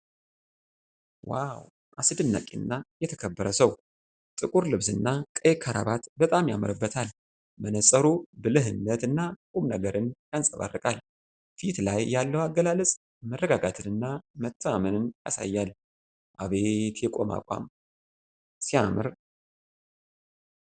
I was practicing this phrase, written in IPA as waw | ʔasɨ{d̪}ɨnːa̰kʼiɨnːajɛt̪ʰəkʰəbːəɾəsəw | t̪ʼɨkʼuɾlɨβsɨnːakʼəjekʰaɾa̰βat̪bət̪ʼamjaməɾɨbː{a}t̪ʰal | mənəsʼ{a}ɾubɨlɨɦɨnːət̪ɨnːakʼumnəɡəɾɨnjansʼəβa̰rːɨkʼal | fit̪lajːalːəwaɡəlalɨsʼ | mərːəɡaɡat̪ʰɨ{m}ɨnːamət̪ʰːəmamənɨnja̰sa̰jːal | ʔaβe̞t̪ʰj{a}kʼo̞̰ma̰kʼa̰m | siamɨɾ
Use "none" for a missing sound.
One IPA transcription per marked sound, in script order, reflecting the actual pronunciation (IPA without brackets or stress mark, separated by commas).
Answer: d̪, ə, ə, n, ɛ